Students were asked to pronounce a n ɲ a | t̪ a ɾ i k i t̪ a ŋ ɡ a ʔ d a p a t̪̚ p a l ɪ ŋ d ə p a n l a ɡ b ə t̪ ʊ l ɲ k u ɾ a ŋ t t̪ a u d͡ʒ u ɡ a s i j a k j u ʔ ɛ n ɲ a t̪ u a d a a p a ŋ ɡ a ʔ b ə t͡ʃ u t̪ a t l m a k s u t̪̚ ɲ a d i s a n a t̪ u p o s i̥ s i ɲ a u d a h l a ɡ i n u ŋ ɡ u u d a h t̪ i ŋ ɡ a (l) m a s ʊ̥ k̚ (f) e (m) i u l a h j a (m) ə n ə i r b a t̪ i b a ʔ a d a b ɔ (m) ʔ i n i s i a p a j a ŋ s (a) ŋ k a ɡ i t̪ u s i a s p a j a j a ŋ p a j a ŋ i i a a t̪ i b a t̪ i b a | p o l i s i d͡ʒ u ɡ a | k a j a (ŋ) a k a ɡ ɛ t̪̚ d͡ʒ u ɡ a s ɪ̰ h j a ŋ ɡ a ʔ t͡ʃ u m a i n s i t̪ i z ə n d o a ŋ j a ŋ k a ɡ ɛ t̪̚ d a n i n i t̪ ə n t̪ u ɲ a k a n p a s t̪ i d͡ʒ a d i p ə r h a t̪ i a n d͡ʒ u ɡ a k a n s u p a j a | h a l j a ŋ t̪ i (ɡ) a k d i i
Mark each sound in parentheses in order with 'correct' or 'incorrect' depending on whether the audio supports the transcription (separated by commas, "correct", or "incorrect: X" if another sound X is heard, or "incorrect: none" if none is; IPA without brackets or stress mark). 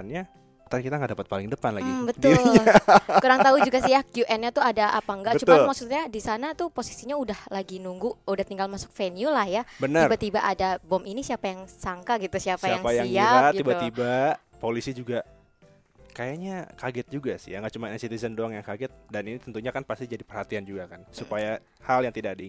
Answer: correct, correct, incorrect: n, incorrect: b, correct, correct, incorrect: ɲ, incorrect: d